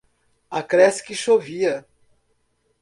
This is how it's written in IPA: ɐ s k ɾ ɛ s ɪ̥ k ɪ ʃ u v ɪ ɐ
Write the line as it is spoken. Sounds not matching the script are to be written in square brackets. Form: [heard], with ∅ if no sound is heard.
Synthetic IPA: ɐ [∅] k ɾ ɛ s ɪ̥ k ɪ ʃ [o] v [i] ɐ